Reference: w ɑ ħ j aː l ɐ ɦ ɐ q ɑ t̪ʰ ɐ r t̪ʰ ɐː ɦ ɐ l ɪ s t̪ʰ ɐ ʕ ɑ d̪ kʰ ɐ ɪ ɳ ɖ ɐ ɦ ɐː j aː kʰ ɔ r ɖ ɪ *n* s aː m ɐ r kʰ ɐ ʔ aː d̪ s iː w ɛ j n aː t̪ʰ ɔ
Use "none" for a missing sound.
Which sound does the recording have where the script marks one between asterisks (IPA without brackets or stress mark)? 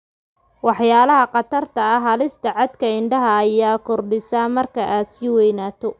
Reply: none